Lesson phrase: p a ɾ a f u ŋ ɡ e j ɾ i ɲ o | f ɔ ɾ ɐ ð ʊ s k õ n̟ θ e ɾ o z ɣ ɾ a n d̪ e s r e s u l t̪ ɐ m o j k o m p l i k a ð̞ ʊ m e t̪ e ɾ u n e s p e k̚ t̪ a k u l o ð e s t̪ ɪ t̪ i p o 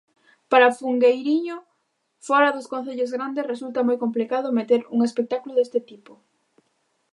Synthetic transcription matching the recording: p a ɾ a f u ŋ ɡ e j ɾ i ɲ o | f ɔ ɾ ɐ ð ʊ s k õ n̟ θ e ʎ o z ɣ ɾ a n d̪ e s r e s u l t̪ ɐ m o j k o m p l i k a ð̞ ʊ m e t̪ e ɾ u ŋ e s p e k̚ t̪ a k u l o ð e s t̪ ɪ t̪ i p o